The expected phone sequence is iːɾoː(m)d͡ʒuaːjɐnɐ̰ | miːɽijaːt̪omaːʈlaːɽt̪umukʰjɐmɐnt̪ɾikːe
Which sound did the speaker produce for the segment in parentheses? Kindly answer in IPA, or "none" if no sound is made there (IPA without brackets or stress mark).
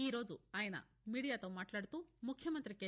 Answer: none